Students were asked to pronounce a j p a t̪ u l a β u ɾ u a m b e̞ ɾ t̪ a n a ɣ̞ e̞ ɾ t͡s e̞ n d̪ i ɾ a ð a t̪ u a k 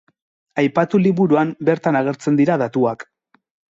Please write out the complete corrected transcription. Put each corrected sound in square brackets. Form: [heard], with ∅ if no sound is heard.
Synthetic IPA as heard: a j p a t̪ u l [i] β u ɾ u a m b e̞ ɾ t̪ a n a ɣ̞ e̞ ɾ t͡s e̞ n d̪ i ɾ a ð a t̪ u a k